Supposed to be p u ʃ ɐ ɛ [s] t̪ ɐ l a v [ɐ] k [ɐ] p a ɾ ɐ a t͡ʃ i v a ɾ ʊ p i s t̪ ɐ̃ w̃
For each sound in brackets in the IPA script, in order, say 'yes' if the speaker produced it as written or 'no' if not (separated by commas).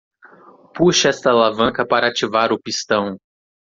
yes, no, yes